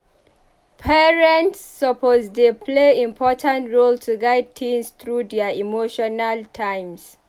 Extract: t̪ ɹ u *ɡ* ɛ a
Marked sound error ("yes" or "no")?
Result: yes